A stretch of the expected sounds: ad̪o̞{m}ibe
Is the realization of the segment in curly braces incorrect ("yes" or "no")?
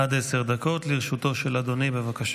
yes